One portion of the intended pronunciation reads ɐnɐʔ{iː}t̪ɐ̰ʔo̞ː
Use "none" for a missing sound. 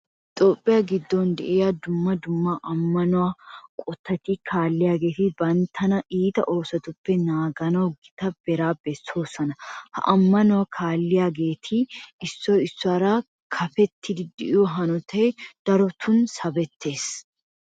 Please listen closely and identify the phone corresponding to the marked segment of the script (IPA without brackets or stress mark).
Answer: iː